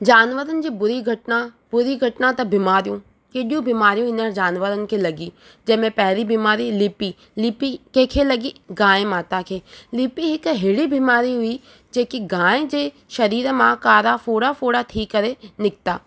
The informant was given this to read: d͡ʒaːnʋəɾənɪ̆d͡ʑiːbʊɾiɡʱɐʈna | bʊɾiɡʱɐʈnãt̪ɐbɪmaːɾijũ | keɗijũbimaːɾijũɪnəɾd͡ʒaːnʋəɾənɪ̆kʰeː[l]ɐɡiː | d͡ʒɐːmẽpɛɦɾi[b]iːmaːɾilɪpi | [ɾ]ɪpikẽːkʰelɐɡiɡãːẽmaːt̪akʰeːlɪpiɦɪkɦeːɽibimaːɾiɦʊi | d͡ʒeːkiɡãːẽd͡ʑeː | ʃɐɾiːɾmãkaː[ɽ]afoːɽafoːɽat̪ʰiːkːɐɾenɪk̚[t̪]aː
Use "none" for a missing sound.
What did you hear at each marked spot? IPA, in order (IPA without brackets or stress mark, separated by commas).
l, b, l, ɾ, t̪